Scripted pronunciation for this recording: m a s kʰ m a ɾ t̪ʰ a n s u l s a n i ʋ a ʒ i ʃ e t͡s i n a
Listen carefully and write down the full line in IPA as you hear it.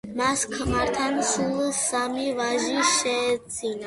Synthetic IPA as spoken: m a s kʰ m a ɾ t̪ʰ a n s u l s a m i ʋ a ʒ i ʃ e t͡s i n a